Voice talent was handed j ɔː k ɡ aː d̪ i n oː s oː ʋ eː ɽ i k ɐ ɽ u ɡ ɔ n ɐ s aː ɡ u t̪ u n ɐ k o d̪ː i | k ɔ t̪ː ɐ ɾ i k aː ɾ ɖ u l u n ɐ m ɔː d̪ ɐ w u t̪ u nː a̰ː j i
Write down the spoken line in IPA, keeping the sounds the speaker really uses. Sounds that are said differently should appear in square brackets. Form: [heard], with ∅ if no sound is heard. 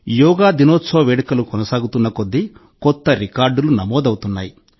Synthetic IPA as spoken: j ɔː [∅] ɡ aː d̪ i n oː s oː ʋ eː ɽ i k ɐ [l] u [k] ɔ n ɐ s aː ɡ u t̪ u [nː] ɐ k o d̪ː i | k ɔ t̪ː ɐ ɾ i k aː ɾ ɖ u l u n ɐ m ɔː d̪ ɐ w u t̪ u nː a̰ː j i